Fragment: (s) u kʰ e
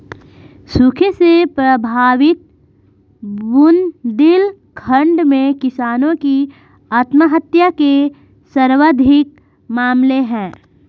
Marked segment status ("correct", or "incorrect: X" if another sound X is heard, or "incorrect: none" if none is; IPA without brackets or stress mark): correct